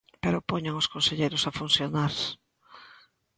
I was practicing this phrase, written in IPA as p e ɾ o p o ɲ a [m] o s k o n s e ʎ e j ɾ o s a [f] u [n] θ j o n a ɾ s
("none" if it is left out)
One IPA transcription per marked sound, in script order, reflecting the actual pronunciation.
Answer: ŋ, f, n

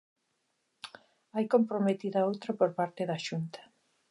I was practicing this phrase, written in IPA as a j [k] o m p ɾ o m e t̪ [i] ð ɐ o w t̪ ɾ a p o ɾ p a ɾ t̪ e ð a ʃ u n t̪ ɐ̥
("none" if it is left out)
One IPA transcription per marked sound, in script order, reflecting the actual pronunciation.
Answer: k, i

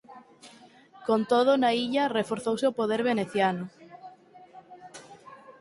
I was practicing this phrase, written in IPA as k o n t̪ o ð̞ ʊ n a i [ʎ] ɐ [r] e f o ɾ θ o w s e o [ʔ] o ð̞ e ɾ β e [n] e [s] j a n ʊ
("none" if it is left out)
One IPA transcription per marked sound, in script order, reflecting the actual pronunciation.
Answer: ʎ, r, p, n, θ

